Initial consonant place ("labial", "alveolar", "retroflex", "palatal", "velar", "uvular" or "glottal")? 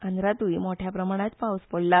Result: alveolar